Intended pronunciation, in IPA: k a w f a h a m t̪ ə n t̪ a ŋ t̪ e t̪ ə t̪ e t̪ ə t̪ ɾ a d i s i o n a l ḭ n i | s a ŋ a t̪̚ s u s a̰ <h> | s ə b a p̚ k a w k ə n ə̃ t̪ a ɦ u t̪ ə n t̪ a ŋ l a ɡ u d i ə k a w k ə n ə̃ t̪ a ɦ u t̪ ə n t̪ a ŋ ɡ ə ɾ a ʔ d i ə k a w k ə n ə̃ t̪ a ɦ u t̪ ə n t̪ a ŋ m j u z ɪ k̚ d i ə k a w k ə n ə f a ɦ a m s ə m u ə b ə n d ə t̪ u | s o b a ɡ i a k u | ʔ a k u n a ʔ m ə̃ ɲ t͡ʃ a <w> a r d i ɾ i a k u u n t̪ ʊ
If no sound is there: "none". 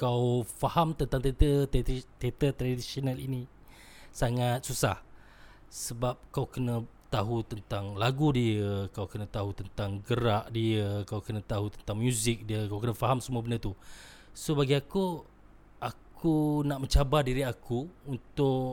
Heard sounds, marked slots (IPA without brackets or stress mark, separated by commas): h, b